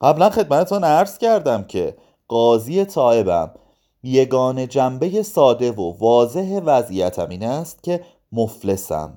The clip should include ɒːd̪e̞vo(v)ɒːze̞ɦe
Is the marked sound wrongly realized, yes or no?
no